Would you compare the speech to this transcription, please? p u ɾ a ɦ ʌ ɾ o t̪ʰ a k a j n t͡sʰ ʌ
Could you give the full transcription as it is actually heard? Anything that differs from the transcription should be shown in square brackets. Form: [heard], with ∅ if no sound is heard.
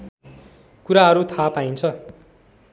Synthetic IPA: [k] u ɾ a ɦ ʌ ɾ [u] t̪ʰ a [p] a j n t͡sʰ ʌ